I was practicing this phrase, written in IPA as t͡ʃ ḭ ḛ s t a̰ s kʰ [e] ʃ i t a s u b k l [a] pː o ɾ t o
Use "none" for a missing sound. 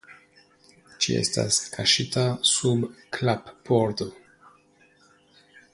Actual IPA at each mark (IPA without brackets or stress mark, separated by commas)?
a, a